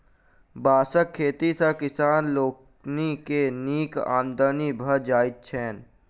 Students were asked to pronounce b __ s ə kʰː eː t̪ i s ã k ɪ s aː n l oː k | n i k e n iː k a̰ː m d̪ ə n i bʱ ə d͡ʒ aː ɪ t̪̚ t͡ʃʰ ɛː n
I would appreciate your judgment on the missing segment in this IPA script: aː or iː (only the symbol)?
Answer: aː